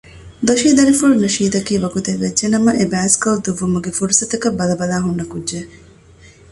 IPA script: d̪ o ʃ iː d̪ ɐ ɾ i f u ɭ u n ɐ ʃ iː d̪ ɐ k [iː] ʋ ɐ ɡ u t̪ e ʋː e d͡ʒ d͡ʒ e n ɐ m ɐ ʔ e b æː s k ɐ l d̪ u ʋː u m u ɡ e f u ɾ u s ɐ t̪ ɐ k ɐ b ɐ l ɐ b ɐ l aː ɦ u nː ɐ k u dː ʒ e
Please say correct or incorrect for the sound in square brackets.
correct